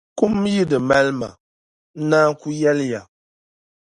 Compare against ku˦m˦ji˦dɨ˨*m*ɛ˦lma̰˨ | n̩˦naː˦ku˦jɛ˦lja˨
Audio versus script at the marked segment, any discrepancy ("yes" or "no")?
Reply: no